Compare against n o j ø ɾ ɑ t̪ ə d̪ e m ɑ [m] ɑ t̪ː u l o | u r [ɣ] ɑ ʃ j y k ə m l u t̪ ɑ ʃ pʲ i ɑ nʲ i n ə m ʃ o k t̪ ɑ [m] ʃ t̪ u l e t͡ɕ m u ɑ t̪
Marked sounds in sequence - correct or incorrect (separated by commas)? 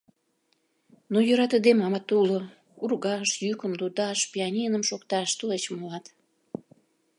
correct, correct, incorrect